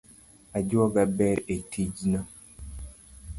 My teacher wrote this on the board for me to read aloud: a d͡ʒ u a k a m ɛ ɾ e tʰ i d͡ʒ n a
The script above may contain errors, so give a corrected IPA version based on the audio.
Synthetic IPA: a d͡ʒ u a ɡ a b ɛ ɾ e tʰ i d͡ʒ n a